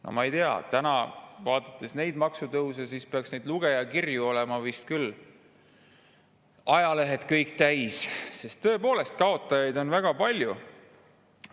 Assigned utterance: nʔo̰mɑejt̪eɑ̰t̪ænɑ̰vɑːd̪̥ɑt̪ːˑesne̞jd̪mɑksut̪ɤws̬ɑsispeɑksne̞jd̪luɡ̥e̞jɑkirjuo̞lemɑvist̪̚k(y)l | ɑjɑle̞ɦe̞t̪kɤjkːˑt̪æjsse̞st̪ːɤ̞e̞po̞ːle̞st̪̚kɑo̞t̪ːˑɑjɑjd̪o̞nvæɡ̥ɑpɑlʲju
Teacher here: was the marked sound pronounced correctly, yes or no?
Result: yes